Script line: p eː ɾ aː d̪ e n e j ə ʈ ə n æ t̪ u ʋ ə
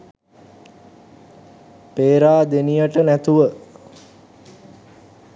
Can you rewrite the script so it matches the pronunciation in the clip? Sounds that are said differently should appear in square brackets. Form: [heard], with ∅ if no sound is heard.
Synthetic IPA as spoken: p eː ɾ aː d̪ e n [i] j ə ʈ ə n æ t̪ u ʋ ə